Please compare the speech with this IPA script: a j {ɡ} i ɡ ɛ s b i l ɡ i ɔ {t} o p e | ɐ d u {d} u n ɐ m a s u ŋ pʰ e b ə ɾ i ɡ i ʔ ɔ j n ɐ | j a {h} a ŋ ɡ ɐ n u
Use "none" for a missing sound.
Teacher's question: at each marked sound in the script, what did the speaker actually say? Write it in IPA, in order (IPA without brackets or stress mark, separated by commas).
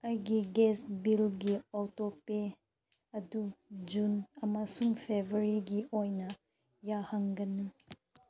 ɡ, t, d͡ʒ, h